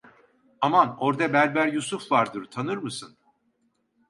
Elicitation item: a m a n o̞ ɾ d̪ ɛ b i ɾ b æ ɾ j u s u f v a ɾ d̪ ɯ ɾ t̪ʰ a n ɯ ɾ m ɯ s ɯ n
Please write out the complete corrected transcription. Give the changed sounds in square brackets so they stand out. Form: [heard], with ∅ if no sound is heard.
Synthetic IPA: a m a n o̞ ɾ d̪ [a] b [æ] ɾ b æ ɾ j u s u f v a ɾ d̪ ɯ ɾ t̪ʰ a n ɯ ɾ m ɯ s ɯ n

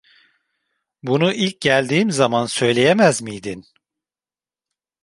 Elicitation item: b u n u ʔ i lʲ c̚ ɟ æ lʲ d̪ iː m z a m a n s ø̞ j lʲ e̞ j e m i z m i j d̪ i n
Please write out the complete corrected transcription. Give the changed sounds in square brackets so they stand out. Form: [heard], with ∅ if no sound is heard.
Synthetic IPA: b u n u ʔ i lʲ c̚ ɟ æ lʲ d̪ iː m z a m a n s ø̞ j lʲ e̞ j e m [æ] z m i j d̪ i n

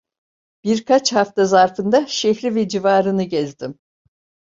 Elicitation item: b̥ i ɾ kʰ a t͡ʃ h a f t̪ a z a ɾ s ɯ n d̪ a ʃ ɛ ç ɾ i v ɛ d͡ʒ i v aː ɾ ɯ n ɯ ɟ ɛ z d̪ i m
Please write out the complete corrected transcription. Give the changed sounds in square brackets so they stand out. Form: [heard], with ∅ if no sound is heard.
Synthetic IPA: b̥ i ɾ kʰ a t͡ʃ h a f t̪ a z a ɾ [f] ɯ n d̪ a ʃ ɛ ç ɾ i v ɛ d͡ʒ i v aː ɾ ɯ n ɯ ɟ ɛ z d̪ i m

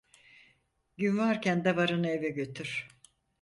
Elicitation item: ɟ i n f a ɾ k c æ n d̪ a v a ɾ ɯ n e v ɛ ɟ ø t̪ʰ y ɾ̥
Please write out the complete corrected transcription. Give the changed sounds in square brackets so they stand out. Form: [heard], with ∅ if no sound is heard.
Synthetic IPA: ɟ [y] n [v] a ɾ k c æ n d̪ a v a ɾ ɯ n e v ɛ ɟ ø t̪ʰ y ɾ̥

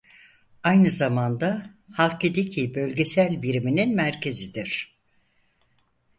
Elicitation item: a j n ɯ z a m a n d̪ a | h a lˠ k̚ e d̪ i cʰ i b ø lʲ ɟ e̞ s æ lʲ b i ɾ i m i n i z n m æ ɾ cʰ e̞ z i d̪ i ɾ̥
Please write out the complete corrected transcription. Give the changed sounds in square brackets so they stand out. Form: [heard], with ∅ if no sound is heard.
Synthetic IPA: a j n ɯ z a m a n d̪ a | h a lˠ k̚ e d̪ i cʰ i b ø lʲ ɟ e̞ s æ lʲ b i ɾ i m i n i [∅] n m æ ɾ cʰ e̞ z i d̪ i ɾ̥

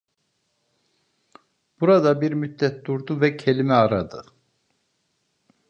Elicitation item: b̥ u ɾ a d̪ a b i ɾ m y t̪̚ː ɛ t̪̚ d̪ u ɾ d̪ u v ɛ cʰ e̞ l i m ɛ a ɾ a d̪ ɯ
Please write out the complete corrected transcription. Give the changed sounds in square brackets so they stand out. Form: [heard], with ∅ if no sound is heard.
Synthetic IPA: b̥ u ɾ a d̪ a b i ɾ m y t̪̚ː ɛ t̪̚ d̪ u ɾ d̪ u v ɛ cʰ e̞ l i m ɛ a ɾ a d̪ ɯ

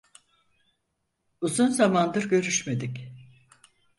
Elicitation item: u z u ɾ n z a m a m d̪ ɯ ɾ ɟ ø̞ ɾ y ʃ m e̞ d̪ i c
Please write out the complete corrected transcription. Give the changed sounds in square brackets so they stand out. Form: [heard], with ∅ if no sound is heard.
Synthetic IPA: u z u [∅] n z a m a [n] d̪ ɯ ɾ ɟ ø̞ ɾ y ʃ m e̞ d̪ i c

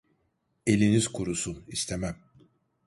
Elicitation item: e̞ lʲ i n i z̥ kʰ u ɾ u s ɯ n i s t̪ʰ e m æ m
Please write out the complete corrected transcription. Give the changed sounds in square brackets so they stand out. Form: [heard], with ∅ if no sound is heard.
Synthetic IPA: e̞ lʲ i n i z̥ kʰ u ɾ u s [u] n i s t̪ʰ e m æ m

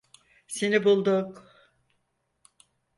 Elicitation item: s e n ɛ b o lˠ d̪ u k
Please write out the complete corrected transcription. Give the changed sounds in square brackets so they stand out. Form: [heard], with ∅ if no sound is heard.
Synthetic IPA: s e n [i] b [u] lˠ d̪ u k

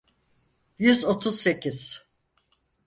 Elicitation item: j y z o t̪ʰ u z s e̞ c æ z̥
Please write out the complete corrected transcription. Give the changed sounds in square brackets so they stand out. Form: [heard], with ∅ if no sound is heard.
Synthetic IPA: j y z o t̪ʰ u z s e̞ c [i] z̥

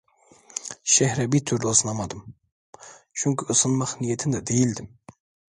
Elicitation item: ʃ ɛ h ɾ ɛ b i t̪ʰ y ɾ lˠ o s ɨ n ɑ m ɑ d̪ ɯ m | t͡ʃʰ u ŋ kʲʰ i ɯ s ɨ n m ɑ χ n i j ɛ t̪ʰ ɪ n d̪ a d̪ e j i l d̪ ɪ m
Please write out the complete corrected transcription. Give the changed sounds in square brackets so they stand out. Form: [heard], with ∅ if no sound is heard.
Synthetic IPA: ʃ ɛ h ɾ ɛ b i t̪ʰ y ɾ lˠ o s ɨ n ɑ m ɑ d̪ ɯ m | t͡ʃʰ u ŋ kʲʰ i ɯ s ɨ n m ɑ χ n i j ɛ t̪ʰ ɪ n d̪ [ɛ] d̪ e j i l d̪ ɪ m

